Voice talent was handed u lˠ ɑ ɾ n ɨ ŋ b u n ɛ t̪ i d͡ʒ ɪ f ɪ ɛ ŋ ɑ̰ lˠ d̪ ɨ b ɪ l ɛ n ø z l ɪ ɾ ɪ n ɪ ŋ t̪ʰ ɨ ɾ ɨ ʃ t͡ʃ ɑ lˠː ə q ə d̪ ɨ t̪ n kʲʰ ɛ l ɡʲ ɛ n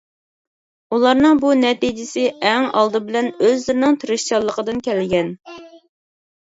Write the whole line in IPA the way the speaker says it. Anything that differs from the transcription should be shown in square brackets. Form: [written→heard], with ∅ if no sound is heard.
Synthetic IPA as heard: u lˠ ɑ ɾ n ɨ ŋ b u n ɛ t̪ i d͡ʒ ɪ [f→s] ɪ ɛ ŋ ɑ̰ lˠ d̪ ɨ b ɪ l ɛ n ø z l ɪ ɾ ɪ n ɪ ŋ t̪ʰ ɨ ɾ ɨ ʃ t͡ʃ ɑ lˠː ə q ə d̪ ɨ [t̪→∅] n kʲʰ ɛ l ɡʲ ɛ n